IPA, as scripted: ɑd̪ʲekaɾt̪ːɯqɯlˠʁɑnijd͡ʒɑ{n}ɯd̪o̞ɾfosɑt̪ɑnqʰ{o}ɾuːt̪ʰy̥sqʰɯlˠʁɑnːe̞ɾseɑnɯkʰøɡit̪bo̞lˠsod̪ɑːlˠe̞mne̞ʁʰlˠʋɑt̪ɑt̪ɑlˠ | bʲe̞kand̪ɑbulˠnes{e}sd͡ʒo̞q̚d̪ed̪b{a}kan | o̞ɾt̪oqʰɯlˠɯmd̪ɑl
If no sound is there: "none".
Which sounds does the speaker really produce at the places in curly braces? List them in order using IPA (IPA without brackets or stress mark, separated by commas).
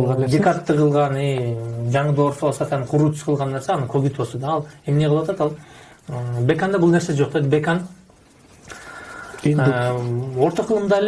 ɴ, u, e, e